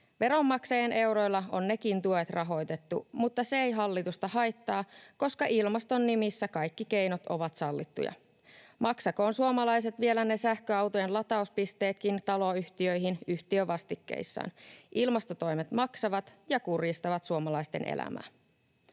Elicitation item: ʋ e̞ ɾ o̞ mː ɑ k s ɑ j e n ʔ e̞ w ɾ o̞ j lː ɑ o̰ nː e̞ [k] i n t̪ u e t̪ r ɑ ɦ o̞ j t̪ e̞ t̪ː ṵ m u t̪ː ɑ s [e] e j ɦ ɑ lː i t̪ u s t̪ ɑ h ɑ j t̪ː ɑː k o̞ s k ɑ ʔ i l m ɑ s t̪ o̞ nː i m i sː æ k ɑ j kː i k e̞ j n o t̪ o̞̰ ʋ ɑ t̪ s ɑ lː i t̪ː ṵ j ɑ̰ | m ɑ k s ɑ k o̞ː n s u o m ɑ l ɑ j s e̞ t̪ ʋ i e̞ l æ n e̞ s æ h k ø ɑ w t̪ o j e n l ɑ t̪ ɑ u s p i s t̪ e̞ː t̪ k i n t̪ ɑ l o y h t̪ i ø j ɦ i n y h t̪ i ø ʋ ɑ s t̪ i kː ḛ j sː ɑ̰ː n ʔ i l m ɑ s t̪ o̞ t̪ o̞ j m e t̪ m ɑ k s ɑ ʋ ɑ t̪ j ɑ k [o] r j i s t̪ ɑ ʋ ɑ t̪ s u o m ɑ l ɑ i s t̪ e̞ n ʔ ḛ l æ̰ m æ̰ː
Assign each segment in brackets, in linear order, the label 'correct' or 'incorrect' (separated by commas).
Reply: correct, correct, incorrect